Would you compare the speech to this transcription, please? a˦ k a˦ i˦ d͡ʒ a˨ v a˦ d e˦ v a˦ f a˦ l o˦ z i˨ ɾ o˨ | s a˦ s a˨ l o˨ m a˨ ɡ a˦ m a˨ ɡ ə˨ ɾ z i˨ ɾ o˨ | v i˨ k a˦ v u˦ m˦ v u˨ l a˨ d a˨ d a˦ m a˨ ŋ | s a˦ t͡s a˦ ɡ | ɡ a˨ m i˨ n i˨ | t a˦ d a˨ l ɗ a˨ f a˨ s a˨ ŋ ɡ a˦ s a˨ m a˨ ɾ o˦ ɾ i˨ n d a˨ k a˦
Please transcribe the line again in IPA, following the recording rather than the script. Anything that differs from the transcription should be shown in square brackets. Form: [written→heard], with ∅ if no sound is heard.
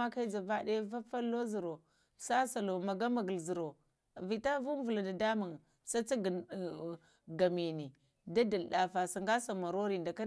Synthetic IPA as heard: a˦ k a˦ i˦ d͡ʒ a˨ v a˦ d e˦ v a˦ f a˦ l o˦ z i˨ ɾ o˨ | s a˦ s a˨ l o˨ m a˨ ɡ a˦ m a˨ ɡ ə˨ [ɾ→l] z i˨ ɾ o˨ | v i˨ [k→t] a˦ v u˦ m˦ v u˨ l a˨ d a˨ d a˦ m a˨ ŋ | s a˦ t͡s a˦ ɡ | ɡ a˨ m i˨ n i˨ | [t→d] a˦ d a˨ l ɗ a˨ f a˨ s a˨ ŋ ɡ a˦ s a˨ m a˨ ɾ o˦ ɾ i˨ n d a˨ k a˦